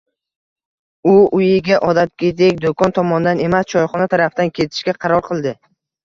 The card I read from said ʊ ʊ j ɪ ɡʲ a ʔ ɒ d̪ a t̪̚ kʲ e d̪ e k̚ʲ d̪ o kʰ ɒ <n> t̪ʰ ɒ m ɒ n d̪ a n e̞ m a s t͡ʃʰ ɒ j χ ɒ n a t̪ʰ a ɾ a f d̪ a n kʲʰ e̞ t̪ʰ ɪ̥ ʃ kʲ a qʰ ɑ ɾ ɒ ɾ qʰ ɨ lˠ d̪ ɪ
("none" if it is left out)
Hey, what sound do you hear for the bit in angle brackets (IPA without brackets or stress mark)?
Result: n